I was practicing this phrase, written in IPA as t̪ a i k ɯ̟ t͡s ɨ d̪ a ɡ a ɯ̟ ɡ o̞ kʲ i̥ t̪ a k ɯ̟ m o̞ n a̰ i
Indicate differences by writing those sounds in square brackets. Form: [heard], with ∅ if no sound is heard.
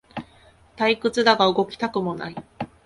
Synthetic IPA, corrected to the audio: t̪ a i k ɯ̟ t͡s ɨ d̪ a ɡ a ɯ̟ ɡ o̞ kʲ i̥ t̪ a k ɯ̟ m o̞ n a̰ i